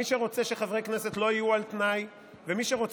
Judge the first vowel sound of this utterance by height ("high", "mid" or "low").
high